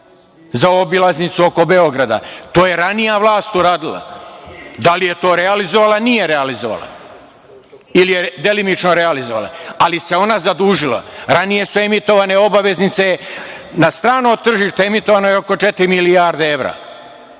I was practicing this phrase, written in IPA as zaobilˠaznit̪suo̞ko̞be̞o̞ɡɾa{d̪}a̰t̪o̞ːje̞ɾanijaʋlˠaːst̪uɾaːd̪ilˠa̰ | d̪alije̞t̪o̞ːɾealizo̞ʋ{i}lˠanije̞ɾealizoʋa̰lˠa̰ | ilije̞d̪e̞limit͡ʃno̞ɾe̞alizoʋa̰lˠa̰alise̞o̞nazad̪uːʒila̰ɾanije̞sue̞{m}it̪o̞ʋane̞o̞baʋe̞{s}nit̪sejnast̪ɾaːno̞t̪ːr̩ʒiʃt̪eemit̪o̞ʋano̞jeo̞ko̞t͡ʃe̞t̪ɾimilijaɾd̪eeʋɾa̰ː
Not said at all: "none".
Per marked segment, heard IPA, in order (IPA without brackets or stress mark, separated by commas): d̪, a, m, z